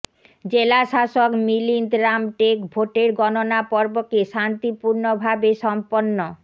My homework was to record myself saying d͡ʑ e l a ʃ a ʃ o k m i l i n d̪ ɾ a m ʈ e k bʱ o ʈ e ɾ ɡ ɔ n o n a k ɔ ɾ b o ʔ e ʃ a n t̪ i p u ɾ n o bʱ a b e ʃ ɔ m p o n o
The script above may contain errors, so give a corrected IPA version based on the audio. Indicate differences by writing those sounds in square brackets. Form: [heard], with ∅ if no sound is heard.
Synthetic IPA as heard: d͡ʑ e l a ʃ a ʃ o k m i l i n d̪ ɾ a m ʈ e k bʱ o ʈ e ɾ ɡ ɔ n o n a [p] ɔ ɾ b o [k] e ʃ a n t̪ i p u ɾ n o bʱ a b e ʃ ɔ m p o [nː] o